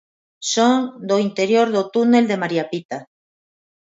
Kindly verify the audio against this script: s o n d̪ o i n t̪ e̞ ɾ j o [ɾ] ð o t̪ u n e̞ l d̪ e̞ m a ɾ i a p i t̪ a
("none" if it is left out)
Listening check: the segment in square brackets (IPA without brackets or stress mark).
ɾ